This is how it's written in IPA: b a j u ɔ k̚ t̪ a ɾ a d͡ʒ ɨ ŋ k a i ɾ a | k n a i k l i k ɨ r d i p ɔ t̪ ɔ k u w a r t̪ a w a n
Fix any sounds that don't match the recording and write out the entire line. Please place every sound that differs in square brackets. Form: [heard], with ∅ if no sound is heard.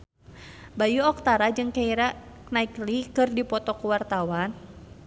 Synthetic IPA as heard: b a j u ɔ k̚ t̪ a ɾ a d͡ʒ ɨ ŋ k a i ɾ a | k n a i k l i k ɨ r d i p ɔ t̪ ɔ k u w a r t̪ a w a n

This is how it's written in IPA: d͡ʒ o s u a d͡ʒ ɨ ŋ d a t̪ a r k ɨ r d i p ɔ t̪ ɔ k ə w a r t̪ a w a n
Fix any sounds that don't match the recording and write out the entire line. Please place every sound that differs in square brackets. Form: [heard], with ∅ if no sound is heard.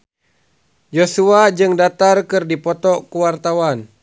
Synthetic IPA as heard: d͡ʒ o s u a d͡ʒ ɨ ŋ d a t̪ a r k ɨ r d i p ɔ t̪ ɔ k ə w a r t̪ a w a n

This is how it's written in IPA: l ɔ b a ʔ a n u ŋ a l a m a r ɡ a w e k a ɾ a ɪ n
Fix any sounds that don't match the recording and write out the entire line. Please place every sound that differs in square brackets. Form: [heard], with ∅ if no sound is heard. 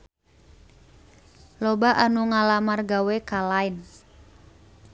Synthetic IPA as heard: l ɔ b a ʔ a n u ŋ a l a m a r ɡ a w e k a [l] a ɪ n

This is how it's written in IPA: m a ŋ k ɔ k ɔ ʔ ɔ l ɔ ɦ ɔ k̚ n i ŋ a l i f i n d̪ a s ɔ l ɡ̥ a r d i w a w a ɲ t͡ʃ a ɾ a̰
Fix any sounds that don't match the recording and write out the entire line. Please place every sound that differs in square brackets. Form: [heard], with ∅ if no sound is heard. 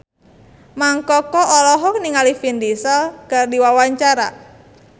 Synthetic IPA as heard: m a ŋ k ɔ k ɔ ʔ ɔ l ɔ ɦ ɔ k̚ n i ŋ a l i f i n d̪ [i] s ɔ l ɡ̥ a r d i w a w a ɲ t͡ʃ a ɾ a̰

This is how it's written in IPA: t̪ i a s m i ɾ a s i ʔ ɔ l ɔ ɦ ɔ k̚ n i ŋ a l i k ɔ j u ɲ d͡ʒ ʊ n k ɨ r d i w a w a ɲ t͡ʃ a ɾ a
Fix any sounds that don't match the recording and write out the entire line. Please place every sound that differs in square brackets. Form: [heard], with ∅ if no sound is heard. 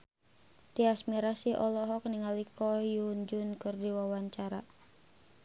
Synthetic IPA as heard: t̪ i a s m i ɾ a s i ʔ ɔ l ɔ ɦ ɔ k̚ n i ŋ a l i k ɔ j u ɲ d͡ʒ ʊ n k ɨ r d i w a w a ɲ t͡ʃ a ɾ a

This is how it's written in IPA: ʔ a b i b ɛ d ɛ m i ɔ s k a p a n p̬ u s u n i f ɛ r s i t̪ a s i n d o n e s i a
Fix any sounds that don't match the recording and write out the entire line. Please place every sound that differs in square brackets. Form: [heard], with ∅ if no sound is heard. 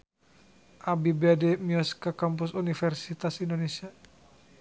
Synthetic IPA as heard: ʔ a b i b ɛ d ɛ m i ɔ s k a [k] a [m] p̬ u s u n i f ɛ r s i t̪ a s i n d o n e s i a

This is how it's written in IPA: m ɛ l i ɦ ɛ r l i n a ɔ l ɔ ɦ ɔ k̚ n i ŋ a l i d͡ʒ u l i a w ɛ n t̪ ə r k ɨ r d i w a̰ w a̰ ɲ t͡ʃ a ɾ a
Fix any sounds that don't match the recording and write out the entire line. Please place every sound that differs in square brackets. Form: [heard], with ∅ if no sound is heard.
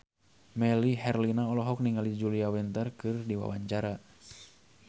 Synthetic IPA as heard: m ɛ l i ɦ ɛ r l i n a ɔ l ɔ ɦ ɔ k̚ n i ŋ a l i d͡ʒ u l i a w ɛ n t̪ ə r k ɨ r d i w a̰ w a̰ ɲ t͡ʃ a ɾ a

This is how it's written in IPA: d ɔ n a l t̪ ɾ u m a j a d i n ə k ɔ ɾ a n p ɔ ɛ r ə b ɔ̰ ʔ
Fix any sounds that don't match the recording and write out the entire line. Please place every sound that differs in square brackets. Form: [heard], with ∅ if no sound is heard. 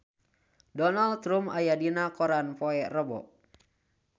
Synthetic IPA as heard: d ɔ n a l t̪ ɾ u m a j a d i n [a] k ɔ ɾ a n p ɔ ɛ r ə b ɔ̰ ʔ

